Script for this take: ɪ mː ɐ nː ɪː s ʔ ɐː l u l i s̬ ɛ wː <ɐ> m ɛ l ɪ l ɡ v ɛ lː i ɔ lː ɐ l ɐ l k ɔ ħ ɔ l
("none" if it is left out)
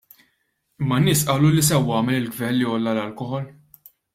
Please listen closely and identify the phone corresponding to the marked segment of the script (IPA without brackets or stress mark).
ɐː